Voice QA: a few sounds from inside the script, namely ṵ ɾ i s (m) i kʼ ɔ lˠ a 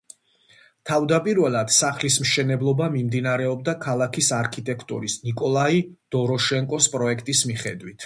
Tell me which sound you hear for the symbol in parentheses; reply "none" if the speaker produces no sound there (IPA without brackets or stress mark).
n